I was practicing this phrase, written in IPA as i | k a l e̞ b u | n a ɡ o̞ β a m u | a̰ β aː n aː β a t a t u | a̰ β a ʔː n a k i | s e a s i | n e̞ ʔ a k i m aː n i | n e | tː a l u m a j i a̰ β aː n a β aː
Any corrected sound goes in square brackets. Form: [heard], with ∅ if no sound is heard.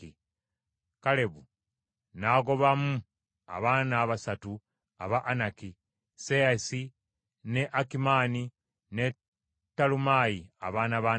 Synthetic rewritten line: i | k a l e̞ [β] u | n a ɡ o̞ β a m u | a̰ β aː n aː β a [s] a t u | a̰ β a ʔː n a k i | s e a s i | n e̞ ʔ a k i m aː n i | n e | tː a l u m a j i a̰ β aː n a β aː